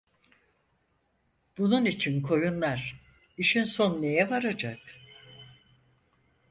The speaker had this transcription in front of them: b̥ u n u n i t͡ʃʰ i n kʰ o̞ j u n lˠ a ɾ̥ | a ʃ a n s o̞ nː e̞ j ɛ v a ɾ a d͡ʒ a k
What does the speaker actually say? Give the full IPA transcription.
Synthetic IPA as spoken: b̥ u n u n i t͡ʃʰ i n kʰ o̞ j u n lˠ a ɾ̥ | i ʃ i n s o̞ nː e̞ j ɛ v a ɾ a d͡ʒ a k